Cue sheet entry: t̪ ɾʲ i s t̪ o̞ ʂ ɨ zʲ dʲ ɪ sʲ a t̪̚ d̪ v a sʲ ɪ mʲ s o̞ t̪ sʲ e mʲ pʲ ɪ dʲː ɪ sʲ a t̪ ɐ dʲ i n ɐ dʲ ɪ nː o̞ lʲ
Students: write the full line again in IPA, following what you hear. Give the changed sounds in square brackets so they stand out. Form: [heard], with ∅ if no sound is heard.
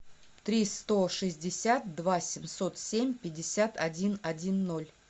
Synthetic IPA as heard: t̪ ɾʲ i s t̪ o̞ ʂ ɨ zʲ dʲ ɪ sʲ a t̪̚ d̪ v a sʲ ɪ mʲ s o̞ t̪ sʲ e mʲ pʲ ɪ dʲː ɪ sʲ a t̪ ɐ dʲ i n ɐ dʲ [i] nː o̞ lʲ